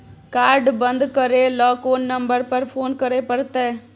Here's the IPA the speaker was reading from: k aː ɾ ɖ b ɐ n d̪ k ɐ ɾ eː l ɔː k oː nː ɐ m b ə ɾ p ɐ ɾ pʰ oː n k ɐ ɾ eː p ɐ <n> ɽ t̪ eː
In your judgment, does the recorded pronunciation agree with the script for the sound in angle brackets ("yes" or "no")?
no